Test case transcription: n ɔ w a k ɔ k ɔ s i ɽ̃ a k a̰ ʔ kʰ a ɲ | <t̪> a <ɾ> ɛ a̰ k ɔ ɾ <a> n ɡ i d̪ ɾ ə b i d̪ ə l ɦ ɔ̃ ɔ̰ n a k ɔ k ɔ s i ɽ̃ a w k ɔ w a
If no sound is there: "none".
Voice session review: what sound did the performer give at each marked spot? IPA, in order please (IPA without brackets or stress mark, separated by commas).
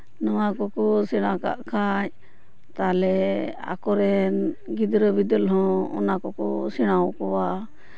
t̪, l, ɛ